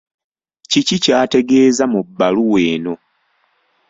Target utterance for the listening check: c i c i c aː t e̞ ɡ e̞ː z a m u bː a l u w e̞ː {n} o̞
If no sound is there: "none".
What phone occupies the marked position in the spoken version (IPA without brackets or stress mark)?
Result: n